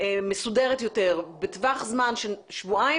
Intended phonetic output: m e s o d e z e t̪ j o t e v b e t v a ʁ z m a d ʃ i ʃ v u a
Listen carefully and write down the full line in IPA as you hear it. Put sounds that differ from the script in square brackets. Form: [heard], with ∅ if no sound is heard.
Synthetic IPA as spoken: m e s [u] d e [ʁ] e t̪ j o t e [ʁ] b e t v a [χ] z m a [n] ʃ [e] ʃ v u a